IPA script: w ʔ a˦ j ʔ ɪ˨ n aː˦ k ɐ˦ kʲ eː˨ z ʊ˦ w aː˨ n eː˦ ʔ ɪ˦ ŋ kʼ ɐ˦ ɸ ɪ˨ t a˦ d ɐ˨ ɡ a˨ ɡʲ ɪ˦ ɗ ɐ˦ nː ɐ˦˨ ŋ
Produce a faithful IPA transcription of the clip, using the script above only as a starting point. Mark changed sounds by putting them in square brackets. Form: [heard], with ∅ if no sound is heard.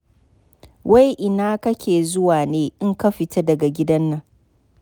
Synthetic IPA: w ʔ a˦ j ʔ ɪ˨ n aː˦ k ɐ˦ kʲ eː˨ z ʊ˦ w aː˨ n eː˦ ʔ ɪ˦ ŋ [k] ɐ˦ ɸ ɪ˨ t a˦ d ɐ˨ ɡ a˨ ɡʲ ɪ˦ [d] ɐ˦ nː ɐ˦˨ ŋ